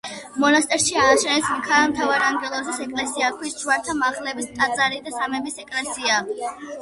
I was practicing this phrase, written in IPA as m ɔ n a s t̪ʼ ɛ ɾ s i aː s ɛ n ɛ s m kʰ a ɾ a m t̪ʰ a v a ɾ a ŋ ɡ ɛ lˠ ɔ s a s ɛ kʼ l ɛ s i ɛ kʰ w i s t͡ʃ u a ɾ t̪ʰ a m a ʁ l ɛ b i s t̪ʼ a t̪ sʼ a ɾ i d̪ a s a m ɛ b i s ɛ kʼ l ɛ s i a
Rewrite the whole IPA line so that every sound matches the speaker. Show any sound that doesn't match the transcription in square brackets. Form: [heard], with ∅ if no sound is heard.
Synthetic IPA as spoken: m ɔ n a s t̪ʼ ɛ ɾ [ʃ] i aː [ʃ] ɛ n ɛ s m kʰ a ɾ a m t̪ʰ a v a ɾ a ŋ ɡ ɛ lˠ ɔ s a s ɛ kʼ l ɛ s i [a] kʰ w i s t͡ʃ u a ɾ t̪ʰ a m a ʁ l ɛ b i s t̪ʼ a t̪ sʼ a ɾ i d̪ a s a m ɛ b i s ɛ kʼ l ɛ s i a

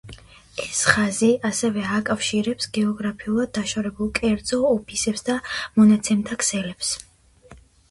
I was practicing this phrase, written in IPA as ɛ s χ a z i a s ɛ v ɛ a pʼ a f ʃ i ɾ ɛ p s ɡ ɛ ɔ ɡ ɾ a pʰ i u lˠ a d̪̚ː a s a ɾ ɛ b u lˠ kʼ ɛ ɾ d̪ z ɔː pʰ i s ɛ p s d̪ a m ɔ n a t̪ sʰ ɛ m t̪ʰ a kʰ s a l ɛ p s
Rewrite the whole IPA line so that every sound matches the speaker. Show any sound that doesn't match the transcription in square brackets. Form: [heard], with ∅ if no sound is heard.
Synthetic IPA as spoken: ɛ s χ a z i a s ɛ v ɛ a [kʼ] a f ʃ i ɾ ɛ p s ɡ ɛ ɔ ɡ ɾ a pʰ i u lˠ a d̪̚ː a [ʃ] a ɾ ɛ b u lˠ kʼ ɛ ɾ d̪ z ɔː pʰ i s ɛ p s d̪ a m ɔ n a t̪ sʰ ɛ m t̪ʰ a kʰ s [ɛ] l ɛ p s

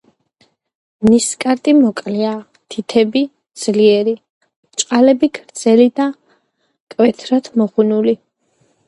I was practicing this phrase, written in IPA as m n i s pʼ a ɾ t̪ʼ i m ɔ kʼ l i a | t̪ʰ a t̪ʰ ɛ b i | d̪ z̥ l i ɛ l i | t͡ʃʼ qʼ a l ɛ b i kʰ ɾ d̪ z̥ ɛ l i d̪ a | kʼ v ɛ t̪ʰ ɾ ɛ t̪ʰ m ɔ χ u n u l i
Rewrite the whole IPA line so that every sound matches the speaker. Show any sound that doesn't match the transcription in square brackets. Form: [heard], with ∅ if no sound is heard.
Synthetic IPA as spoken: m n i s [kʼ] a ɾ t̪ʼ i m ɔ kʼ l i a | t̪ʰ [i] t̪ʰ ɛ b i | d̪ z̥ l i ɛ [ɾ] i | t͡ʃʼ qʼ a l ɛ b i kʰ ɾ d̪ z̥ ɛ l i d̪ a | kʼ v ɛ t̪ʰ ɾ [a] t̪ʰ m ɔ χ u n u l i

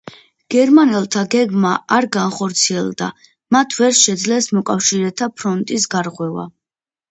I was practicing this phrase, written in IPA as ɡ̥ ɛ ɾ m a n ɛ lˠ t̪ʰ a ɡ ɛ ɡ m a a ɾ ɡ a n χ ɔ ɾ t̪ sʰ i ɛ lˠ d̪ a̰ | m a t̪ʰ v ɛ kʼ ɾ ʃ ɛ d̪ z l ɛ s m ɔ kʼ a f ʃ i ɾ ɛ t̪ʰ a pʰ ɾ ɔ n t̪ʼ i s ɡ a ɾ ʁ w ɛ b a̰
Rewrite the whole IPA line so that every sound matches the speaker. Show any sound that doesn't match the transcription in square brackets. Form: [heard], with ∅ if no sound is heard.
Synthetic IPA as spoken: ɡ̥ ɛ ɾ m a n ɛ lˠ t̪ʰ a ɡ ɛ ɡ m a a ɾ ɡ a n χ ɔ ɾ t̪ sʰ i ɛ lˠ d̪ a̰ | m a t̪ʰ v ɛ [∅] ɾ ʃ ɛ d̪ z l ɛ s m ɔ kʼ a f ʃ i ɾ ɛ t̪ʰ a pʰ ɾ ɔ n t̪ʼ i s ɡ a ɾ ʁ w ɛ [v] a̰

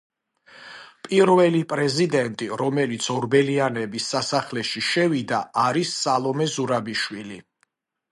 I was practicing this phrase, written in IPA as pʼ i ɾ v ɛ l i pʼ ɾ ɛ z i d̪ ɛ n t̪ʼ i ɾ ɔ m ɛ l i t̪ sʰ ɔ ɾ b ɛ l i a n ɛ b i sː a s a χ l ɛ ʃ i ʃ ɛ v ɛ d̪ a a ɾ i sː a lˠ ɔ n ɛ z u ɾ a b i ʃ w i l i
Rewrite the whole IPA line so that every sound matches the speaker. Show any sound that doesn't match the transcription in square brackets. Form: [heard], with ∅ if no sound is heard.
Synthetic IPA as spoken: pʼ i ɾ v ɛ l i pʼ ɾ ɛ z i d̪ ɛ n t̪ʼ i ɾ ɔ m ɛ l i t̪ sʰ ɔ ɾ b ɛ l i a n ɛ b i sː a s a χ l ɛ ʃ i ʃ ɛ v [i] d̪ a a ɾ i sː a lˠ ɔ [m] ɛ z u ɾ a b i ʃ w i l i

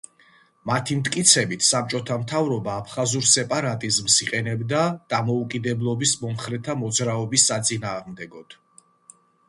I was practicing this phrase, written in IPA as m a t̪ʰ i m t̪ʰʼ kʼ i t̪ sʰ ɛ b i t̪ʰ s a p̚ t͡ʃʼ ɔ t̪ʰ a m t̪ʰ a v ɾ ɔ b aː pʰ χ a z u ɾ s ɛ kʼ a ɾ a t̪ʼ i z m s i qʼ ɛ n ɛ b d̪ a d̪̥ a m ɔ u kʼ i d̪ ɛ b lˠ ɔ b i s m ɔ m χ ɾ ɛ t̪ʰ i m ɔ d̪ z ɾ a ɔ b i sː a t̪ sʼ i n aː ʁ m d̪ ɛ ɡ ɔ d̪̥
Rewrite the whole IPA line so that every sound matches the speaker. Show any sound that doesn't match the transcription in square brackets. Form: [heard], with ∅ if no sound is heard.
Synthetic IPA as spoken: m a t̪ʰ i m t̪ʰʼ kʼ i t̪ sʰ ɛ b i t̪ʰ s a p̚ t͡ʃʼ ɔ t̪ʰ a m t̪ʰ a v ɾ ɔ b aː pʰ χ a z u ɾ s ɛ [pʼ] a ɾ a t̪ʼ i z m s i qʼ ɛ n ɛ b d̪ a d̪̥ a m ɔ u kʼ i d̪ ɛ b lˠ ɔ b i s m ɔ m χ ɾ ɛ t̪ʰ [a] m ɔ d̪ z ɾ a ɔ b i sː a t̪ sʼ i n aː ʁ m d̪ ɛ ɡ ɔ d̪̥

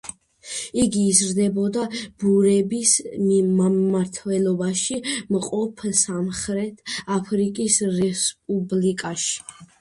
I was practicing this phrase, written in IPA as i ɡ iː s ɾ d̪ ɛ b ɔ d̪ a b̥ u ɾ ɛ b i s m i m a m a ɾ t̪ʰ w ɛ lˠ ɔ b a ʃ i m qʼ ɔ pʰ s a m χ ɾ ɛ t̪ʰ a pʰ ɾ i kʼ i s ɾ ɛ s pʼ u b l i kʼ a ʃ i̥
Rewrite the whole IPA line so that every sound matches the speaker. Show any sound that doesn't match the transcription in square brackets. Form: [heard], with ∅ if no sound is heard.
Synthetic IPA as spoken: i ɡ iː [z] ɾ d̪ ɛ b ɔ d̪ a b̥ u ɾ ɛ b i s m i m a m a ɾ t̪ʰ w ɛ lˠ ɔ b a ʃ i m qʼ ɔ pʰ s a m χ ɾ ɛ t̪ʰ a pʰ ɾ i kʼ i s ɾ ɛ s pʼ u b l i kʼ a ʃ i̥

